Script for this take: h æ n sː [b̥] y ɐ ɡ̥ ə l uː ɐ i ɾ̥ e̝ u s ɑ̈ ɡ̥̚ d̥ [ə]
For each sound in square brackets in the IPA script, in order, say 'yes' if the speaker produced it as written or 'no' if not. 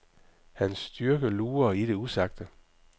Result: no, yes

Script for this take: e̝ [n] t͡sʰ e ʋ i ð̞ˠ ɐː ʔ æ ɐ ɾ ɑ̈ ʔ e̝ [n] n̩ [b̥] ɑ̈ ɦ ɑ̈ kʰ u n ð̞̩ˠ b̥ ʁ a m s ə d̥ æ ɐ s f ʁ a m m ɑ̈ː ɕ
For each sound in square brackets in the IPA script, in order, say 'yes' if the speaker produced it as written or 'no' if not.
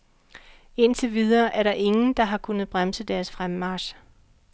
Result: yes, no, no

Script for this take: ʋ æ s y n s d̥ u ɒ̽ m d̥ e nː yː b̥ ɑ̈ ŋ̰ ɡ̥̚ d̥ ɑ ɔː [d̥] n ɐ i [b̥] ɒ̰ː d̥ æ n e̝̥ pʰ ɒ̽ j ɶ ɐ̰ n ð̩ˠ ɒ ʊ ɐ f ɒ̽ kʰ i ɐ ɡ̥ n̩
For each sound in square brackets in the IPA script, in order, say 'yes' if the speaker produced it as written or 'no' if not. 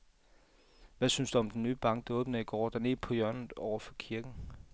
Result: no, no

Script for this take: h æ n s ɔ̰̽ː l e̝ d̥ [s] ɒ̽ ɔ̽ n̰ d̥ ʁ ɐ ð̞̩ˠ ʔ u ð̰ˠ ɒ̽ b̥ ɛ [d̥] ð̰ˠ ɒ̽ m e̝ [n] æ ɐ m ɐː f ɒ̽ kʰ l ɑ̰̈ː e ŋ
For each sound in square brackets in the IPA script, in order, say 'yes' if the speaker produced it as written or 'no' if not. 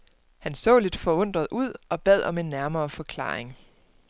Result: no, no, no

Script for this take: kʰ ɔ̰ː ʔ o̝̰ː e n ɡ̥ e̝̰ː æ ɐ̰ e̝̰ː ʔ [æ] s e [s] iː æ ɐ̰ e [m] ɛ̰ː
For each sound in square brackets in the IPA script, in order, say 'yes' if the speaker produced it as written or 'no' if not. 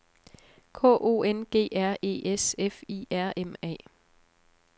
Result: no, no, yes

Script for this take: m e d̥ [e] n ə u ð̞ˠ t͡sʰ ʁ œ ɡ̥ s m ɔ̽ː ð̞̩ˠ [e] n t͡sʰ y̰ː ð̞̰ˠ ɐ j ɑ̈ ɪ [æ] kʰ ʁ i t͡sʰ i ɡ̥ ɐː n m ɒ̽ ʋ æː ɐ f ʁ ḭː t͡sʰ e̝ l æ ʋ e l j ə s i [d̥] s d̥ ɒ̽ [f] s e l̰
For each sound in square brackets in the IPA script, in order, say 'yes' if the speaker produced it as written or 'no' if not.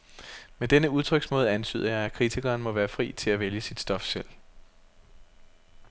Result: yes, no, yes, yes, yes

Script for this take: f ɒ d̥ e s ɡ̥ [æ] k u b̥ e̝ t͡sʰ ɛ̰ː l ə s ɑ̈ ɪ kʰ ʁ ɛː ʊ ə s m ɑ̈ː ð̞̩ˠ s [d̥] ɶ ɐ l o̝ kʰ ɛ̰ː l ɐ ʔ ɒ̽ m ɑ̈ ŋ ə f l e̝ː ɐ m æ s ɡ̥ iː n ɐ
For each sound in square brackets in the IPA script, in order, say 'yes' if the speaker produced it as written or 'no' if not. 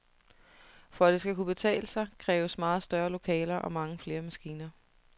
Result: yes, yes

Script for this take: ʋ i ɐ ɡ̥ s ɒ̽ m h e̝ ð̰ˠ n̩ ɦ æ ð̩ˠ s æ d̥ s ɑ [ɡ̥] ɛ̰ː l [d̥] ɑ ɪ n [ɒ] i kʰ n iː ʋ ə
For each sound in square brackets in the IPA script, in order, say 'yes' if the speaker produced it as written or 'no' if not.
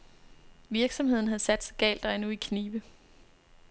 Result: yes, yes, no

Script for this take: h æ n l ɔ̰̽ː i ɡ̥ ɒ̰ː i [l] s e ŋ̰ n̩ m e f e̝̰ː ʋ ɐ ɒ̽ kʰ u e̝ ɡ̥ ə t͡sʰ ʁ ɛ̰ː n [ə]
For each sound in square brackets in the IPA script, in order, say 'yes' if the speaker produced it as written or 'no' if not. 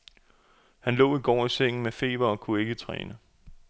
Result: no, yes

